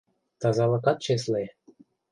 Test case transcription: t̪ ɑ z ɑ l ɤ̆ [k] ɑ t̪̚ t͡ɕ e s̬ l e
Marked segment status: correct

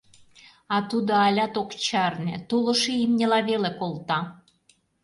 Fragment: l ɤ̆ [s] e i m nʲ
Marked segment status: incorrect: ʃ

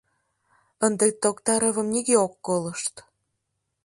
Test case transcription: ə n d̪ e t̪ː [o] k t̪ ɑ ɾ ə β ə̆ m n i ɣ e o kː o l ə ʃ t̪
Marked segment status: correct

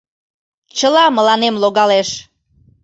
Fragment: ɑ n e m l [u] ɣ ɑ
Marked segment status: incorrect: o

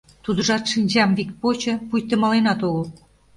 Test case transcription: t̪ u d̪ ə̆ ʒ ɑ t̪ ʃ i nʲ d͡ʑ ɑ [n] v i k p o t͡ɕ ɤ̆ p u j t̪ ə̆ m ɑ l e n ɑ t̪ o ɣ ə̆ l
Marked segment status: incorrect: m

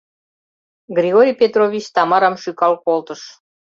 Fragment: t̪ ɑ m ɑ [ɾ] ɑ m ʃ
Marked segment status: correct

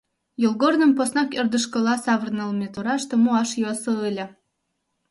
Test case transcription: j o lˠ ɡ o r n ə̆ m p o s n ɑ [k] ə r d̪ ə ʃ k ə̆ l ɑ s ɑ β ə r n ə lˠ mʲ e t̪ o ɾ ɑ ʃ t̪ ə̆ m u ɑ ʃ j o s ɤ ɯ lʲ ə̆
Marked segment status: correct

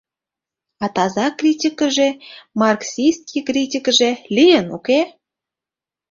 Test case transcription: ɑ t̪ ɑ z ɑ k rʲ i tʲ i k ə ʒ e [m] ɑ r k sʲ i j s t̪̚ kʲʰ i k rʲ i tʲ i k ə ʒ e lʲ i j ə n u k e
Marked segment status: correct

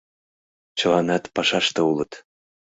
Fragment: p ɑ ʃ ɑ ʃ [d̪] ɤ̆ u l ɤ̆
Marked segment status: incorrect: t̪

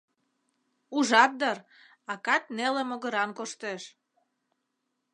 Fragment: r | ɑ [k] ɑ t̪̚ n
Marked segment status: correct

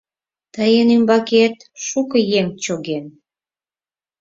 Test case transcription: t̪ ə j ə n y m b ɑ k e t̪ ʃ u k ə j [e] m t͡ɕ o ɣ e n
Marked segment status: correct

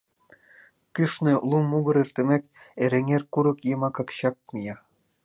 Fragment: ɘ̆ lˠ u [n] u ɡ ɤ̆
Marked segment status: incorrect: m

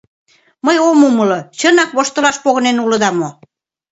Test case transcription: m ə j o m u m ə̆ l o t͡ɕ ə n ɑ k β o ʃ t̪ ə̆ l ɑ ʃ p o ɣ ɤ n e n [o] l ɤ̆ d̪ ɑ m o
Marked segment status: incorrect: u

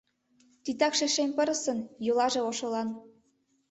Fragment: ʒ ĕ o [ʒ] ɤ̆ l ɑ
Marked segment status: incorrect: ʃ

